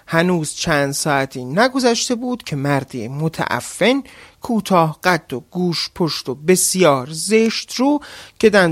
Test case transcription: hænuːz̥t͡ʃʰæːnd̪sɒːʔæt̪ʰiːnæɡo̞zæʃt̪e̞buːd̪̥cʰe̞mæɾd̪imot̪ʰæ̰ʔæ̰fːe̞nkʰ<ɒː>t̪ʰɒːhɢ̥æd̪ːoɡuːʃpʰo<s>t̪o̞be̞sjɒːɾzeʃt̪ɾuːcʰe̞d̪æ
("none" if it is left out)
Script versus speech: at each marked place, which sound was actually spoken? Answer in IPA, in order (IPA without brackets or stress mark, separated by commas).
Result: uː, ʃ